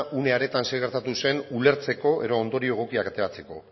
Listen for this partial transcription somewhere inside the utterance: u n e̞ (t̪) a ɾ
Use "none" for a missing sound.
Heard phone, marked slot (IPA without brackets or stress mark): none